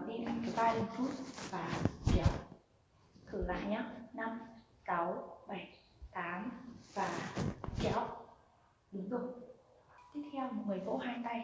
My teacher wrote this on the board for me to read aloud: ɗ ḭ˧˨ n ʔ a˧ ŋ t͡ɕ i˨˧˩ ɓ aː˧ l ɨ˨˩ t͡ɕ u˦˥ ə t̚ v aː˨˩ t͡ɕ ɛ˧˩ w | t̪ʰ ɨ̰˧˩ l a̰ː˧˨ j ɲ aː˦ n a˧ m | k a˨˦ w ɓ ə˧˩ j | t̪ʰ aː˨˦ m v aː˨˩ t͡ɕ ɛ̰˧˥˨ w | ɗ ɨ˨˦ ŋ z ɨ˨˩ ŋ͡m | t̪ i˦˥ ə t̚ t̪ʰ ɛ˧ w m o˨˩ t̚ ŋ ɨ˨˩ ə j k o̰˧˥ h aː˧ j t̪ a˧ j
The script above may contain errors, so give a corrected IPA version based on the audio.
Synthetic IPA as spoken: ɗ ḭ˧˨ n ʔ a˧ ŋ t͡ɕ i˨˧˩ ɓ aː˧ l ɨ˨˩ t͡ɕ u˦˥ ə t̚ v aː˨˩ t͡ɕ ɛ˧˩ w | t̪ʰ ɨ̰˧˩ l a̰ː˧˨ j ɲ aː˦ n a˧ m | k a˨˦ w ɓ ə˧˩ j | t̪ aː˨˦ m v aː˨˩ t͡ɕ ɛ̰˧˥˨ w | ɗ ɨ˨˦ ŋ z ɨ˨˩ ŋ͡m | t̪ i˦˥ ə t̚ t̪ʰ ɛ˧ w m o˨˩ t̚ ŋ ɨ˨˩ ə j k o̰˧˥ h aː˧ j t̪ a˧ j